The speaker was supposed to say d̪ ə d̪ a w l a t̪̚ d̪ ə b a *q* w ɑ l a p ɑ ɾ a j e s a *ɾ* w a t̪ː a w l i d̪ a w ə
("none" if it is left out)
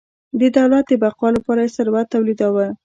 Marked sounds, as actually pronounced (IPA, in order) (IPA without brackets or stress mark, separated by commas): q, ɾ